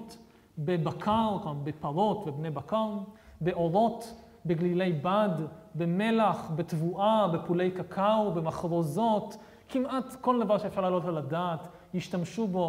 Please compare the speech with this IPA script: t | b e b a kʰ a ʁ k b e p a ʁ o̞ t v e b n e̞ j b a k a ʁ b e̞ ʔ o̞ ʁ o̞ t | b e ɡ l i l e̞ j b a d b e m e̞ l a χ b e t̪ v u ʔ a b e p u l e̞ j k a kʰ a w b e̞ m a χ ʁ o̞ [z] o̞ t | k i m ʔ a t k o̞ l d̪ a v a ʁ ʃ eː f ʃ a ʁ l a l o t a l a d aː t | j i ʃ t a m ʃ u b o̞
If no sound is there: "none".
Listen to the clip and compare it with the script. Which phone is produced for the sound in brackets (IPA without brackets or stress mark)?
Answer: z